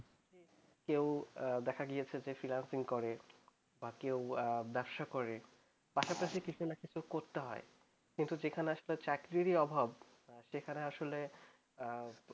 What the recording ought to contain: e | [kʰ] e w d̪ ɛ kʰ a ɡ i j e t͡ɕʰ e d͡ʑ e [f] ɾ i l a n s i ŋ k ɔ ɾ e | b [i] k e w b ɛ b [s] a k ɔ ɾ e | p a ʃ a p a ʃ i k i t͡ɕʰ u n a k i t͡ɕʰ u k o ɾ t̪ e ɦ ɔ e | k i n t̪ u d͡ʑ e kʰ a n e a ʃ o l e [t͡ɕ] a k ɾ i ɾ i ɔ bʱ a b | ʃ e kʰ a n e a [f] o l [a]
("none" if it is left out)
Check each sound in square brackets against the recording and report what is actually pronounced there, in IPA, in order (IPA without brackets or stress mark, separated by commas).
k, f, a, ʃ, t͡ɕ, ʃ, e